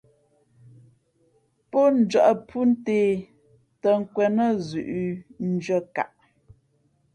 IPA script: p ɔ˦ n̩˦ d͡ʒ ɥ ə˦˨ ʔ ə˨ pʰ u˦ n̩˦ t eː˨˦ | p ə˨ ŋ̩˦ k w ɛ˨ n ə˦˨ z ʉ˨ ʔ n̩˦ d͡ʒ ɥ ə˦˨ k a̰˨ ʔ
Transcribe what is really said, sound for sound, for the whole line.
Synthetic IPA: p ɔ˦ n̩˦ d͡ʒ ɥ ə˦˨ ʔ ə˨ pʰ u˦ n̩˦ t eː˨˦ | t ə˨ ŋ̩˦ k w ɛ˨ n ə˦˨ z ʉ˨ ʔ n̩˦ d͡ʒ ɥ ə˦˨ k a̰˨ ʔ